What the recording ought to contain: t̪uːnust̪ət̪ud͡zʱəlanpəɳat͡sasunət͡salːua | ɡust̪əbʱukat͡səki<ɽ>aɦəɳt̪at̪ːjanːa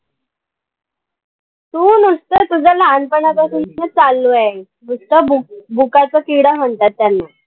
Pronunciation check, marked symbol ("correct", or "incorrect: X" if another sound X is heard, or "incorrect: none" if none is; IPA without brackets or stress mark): correct